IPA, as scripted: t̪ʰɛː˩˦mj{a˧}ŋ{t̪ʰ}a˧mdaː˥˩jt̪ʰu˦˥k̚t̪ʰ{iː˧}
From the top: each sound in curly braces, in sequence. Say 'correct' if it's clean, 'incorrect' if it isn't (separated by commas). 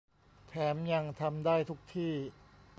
correct, correct, incorrect